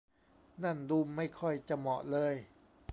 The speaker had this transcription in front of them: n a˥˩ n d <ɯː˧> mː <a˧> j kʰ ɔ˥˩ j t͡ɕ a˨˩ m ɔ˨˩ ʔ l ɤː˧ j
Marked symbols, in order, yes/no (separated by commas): no, no